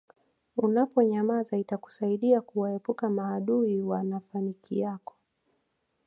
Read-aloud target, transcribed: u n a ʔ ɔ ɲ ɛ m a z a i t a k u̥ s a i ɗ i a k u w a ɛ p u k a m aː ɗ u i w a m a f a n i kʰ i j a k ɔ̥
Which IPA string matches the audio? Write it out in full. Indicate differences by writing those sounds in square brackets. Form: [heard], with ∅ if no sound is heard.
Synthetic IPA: u n a [p] ɔ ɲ [a] m a z a i t a k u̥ s a i ɗ i a k u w a ɛ p u k a m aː ɗ u i w a [n] a f a n i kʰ i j a k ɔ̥